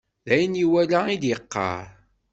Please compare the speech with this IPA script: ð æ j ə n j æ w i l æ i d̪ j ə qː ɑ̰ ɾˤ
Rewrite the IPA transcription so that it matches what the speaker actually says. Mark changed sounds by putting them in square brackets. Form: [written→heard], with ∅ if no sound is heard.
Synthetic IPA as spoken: ð æ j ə n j [æ→i] w [i→æ] l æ i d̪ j ə qː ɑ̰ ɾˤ